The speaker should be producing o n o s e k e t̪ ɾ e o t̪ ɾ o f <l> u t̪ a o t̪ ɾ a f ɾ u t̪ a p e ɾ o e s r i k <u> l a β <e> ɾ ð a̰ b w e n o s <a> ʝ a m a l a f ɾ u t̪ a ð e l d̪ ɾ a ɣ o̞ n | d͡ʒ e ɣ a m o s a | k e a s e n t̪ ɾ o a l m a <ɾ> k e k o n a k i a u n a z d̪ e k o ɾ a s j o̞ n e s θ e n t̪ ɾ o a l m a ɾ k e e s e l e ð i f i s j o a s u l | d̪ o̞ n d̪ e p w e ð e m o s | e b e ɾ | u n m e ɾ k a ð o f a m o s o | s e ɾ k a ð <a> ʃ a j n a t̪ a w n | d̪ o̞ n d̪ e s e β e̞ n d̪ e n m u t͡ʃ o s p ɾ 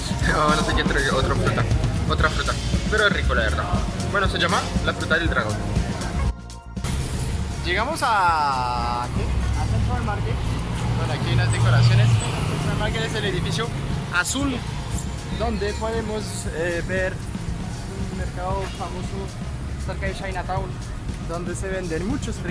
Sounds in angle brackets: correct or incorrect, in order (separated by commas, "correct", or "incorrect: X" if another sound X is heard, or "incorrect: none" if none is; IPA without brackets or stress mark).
incorrect: ɾ, incorrect: o, correct, incorrect: e, correct, incorrect: e